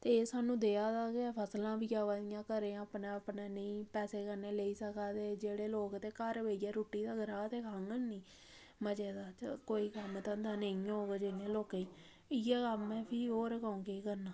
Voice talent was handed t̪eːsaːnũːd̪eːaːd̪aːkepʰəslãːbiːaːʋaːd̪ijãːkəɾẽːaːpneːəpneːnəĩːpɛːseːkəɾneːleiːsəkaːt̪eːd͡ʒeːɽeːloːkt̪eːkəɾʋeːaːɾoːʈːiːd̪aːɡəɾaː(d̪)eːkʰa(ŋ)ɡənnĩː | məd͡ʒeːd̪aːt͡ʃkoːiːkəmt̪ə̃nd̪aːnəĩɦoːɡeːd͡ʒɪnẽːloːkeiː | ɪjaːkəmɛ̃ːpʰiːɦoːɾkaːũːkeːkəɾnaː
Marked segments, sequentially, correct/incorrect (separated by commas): incorrect, correct